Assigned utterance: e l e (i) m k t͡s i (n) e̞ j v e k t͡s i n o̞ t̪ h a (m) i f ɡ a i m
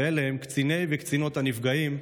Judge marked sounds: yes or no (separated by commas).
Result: no, yes, no